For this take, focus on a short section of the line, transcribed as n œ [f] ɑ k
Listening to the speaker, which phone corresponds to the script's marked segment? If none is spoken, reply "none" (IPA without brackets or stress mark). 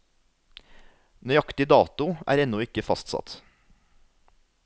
none